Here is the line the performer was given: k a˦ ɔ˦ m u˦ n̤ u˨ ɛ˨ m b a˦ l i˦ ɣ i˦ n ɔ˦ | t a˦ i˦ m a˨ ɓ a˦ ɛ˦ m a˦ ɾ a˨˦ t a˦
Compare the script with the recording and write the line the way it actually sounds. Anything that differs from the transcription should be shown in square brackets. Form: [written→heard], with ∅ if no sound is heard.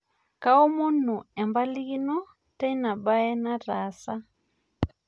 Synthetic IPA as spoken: k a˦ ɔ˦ m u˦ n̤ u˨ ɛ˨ m b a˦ l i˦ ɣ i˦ n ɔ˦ | t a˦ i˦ [m→n] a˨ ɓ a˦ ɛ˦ [m→n] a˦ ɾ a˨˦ [t→s] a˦